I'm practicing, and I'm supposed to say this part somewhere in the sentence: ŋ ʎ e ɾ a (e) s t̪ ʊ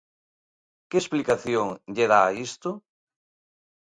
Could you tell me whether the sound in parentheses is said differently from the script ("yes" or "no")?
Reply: yes